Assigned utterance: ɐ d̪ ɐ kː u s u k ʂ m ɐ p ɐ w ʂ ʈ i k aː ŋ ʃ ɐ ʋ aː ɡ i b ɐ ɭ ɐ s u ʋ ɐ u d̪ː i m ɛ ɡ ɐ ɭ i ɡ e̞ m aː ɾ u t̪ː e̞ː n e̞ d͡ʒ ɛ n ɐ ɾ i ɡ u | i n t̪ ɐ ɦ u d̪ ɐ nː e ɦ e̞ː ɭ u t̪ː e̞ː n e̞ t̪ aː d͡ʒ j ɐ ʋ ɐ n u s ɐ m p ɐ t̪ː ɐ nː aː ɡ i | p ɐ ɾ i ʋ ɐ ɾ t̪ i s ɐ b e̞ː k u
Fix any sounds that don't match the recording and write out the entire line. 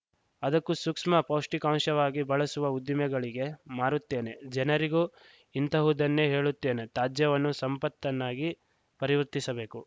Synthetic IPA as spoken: ɐ d̪ ɐ kː u s u k ʂ m ɐ p ɐ w ʂ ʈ i k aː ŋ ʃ ɐ ʋ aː ɡ i b ɐ ɭ ɐ s u ʋ ɐ u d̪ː i m ɛ ɡ ɐ ɭ i ɡ e̞ m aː ɾ u t̪ː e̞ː n e̞ d͡ʒ ɛ n ɐ ɾ i ɡ u | i n t̪ ɐ ɦ u d̪ ɐ nː e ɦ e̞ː ɭ u t̪ː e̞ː n e̞ t̪ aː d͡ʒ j ɐ ʋ ɐ nː u s ɐ m p ɐ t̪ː ɐ nː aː ɡ i | p ɐ ɾ i ʋ ɐ ɾ t̪ i s ɐ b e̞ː k u